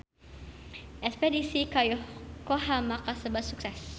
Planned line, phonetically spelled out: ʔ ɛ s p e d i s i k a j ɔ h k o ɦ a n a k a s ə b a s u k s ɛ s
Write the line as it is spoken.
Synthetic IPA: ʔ ɛ s p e d i s i k a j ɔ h k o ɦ a m a k a s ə b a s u k s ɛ s